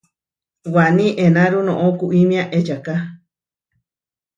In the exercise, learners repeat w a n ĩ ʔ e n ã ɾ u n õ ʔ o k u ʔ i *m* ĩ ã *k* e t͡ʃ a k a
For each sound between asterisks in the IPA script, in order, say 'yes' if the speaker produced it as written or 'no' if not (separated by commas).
yes, no